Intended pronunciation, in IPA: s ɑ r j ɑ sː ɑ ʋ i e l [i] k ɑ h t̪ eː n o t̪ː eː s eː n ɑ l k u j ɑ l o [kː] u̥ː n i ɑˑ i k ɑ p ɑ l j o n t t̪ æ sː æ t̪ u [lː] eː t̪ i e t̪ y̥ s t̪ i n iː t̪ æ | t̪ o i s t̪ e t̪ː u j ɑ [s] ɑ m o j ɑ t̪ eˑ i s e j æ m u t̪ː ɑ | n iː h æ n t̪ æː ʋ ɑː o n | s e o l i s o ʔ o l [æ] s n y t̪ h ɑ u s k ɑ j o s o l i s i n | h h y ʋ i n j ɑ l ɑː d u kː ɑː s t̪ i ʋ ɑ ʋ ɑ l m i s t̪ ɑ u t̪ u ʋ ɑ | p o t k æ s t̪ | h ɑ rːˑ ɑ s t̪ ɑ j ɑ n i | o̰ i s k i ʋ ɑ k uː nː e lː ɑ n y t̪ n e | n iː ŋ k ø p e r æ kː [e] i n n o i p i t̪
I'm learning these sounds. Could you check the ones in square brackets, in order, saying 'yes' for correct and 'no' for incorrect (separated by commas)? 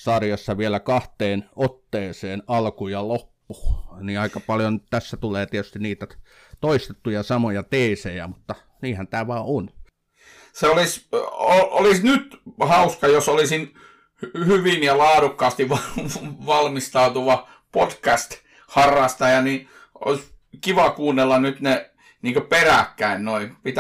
no, no, no, yes, no, no